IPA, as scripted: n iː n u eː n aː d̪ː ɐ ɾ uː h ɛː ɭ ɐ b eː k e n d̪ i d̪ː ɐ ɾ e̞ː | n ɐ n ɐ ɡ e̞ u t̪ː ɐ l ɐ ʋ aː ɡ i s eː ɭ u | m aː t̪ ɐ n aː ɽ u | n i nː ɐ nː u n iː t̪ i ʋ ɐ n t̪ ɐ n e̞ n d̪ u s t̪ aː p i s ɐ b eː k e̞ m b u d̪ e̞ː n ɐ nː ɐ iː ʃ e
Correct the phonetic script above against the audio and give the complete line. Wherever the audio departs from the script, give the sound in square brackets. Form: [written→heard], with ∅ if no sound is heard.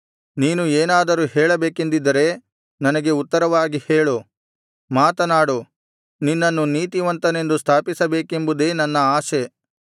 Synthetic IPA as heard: n iː n u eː n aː [d̪ː→d̪] ɐ ɾ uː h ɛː ɭ ɐ b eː k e n d̪ i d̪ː ɐ ɾ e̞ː | n ɐ n ɐ ɡ e̞ u t̪ː ɐ [l→ɾ] ɐ ʋ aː ɡ i [s→h] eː ɭ u | m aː t̪ ɐ n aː ɽ u | n i nː ɐ nː u n iː t̪ i ʋ ɐ n t̪ ɐ n e̞ n d̪ u s [t̪→t̪ʰ] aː p i s ɐ b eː k e̞ m b u d̪ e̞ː n ɐ nː ɐ [iː→aː] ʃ e